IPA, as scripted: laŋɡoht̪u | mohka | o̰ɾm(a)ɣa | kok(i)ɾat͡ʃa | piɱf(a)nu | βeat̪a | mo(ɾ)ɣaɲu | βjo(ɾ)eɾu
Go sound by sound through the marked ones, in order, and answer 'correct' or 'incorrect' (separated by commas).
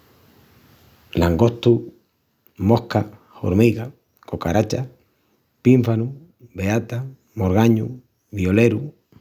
incorrect, incorrect, correct, correct, incorrect